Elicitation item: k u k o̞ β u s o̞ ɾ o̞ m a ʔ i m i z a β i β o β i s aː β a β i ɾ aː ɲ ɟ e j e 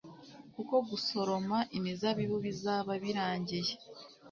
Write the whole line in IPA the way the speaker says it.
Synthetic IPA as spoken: k u k o̞ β u s o̞ ɾ o̞ m a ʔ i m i z a β i β u β i z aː β a β i ɾ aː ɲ ɟ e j e